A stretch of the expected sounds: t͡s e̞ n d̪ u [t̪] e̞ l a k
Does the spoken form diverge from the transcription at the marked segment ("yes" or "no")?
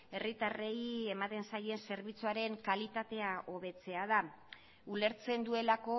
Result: yes